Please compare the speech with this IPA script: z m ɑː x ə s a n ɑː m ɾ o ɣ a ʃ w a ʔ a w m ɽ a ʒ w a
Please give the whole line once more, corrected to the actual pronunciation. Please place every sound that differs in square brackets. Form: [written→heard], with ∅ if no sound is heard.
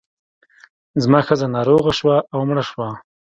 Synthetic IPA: z m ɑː x ə [s→z] a n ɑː [m→∅] ɾ o ɣ a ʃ w a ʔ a w m ɽ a [ʒ→ʃ] w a

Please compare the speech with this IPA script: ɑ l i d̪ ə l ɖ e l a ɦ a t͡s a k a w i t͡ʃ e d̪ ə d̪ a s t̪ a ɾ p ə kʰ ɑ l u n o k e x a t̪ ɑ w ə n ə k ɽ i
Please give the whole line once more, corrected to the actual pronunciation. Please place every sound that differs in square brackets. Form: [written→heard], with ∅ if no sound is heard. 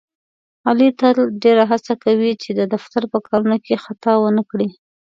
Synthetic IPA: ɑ l i [d̪→t̪] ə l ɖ e [l→ɾ] a ɦ a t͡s a k a w i t͡ʃ e d̪ ə d̪ a [s→f] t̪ a ɾ p ə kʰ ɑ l u n o k e x a t̪ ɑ w ə n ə k ɽ i

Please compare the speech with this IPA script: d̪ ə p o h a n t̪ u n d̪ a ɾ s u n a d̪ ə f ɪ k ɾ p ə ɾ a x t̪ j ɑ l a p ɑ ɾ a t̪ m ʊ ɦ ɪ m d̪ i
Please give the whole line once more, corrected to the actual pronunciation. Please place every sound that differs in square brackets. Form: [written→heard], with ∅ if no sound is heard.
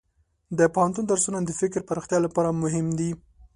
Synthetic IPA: d̪ ə p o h a n t̪ u n d̪ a ɾ s u n a d̪ ə f ɪ k ɾ p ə ɾ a x t̪ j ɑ l a p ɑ ɾ a [t̪→∅] m ʊ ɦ ɪ m d̪ i

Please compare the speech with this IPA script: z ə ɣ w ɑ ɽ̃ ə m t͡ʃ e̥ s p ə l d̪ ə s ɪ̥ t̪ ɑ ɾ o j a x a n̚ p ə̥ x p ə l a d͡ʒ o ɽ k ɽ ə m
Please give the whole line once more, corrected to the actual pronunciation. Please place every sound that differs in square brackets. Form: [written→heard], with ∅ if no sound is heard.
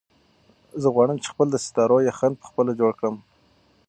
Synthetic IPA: z ə ɣ w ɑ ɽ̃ ə m t͡ʃ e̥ [s→x] p ə l d̪ ə s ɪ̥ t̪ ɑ ɾ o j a x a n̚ p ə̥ x p ə l a d͡ʒ o ɽ k ɽ ə m

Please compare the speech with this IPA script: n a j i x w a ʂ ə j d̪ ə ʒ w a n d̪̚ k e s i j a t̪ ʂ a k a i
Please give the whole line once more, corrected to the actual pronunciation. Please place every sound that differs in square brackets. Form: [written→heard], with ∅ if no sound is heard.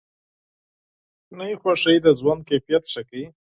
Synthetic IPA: n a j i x w a ʂ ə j d̪ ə [ʒ→z] w a n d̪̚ k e [s→f] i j a t̪ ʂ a k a i

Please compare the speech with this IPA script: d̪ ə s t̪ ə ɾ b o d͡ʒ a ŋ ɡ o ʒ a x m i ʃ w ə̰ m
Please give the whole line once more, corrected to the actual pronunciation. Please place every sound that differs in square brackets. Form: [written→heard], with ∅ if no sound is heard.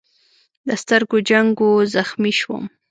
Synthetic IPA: d̪ ə s t̪ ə ɾ [b→ɡ] o d͡ʒ a ŋ ɡ o [ʒ→z] a x m i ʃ w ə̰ m

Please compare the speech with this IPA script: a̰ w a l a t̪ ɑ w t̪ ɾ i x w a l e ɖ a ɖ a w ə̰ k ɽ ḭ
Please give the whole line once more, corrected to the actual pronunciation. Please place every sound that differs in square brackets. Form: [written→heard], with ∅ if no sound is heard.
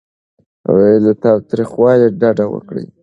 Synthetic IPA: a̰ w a l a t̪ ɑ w t̪ ɾ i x w [a→ɑ] l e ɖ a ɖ a w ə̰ k ɽ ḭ

